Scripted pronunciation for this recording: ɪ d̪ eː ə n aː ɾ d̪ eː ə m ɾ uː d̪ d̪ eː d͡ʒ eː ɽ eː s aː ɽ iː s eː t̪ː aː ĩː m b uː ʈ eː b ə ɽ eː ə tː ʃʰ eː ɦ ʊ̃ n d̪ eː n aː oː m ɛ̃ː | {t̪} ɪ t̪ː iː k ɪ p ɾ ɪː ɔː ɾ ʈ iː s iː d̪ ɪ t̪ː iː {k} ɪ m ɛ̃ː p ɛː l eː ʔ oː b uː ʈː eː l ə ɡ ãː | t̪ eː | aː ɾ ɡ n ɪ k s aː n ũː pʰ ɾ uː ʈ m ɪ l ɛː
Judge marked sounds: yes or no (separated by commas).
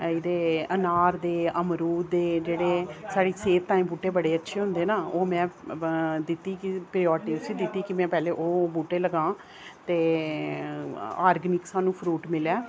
no, yes